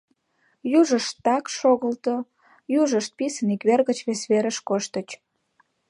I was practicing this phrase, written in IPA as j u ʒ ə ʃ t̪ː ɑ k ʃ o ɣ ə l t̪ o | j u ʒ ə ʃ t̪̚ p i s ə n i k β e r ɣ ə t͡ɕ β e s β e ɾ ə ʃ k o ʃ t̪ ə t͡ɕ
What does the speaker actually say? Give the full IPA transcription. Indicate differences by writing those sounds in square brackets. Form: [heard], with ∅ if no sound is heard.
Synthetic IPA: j u ʒ ə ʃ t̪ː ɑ k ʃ o ɣ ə l t̪ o | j u ʒ ə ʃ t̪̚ p i s ə n i k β e r ɣ ə t͡ɕ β e s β e ɾ ə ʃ k o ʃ t̪ ə t͡ɕ